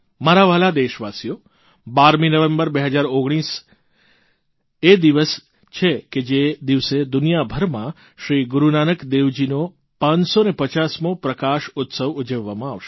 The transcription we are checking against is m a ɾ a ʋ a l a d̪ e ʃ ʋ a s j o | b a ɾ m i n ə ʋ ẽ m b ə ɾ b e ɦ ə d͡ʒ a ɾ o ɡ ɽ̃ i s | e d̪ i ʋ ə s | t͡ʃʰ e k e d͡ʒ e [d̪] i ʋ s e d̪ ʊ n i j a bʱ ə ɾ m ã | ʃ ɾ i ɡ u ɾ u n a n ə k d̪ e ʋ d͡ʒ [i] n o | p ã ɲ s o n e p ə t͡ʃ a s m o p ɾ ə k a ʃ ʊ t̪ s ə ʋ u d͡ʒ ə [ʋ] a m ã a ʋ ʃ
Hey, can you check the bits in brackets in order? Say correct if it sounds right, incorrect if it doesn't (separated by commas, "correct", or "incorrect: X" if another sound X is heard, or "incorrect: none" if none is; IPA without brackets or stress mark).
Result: correct, correct, incorrect: ʋː